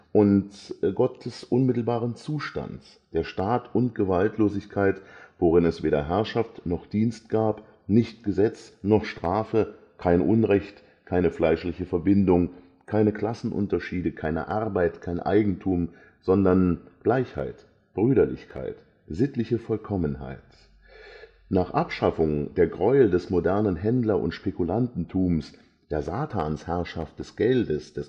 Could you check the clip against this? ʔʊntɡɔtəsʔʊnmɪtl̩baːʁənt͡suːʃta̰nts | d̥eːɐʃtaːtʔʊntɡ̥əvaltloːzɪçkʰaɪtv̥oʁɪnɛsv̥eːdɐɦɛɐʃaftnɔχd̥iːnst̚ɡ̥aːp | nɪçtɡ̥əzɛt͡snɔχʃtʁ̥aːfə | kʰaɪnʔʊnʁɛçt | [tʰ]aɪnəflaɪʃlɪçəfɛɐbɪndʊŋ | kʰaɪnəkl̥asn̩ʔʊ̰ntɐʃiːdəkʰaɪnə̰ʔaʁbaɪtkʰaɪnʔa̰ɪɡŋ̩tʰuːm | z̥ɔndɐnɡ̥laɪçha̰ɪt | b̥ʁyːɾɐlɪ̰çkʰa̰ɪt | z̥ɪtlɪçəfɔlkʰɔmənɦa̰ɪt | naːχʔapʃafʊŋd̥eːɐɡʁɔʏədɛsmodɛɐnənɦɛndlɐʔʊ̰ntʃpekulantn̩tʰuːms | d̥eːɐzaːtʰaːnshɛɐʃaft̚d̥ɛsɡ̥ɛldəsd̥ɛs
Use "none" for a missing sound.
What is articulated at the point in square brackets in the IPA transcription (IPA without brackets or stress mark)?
kʰ